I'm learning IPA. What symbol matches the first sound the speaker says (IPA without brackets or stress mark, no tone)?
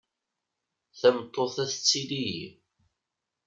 θ